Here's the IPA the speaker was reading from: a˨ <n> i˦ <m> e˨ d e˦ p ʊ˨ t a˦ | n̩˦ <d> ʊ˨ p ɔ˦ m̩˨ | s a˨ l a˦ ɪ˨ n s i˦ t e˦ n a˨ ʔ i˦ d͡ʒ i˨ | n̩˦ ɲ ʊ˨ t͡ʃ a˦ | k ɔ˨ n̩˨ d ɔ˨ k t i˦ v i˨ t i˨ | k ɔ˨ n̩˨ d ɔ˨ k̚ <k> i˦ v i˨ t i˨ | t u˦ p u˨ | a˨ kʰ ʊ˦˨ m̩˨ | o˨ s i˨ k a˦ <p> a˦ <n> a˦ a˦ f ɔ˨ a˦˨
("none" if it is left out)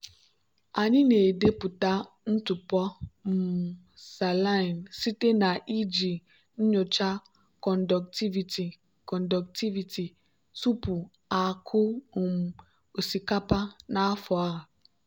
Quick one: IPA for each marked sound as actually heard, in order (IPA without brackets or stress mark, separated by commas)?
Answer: ɲ, n, t, t, p, n